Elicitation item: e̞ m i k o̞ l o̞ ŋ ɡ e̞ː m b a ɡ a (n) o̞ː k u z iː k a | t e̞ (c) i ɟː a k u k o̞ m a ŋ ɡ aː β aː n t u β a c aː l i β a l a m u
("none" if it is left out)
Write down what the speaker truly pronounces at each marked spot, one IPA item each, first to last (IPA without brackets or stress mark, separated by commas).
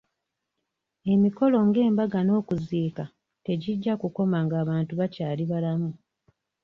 n, ɟ